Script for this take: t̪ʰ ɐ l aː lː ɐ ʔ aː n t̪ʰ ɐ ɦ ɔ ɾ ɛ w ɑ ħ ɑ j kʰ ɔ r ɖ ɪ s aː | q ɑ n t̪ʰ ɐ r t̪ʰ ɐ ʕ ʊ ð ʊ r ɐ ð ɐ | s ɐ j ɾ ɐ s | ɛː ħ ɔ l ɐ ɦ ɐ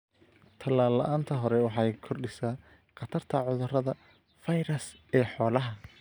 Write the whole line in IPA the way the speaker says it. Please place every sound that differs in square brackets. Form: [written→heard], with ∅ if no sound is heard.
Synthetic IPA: t̪ʰ ɐ l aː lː ɐ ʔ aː n t̪ʰ ɐ ɦ ɔ ɾ ɛ w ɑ ħ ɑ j kʰ ɔ r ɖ ɪ s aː | q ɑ [n→∅] t̪ʰ ɐ r t̪ʰ ɐ ʕ ʊ ð ʊ r ɐ ð ɐ | [s→f] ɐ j ɾ ɐ s | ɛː ħ [ɔ→ɔː] l ɐ ɦ ɐ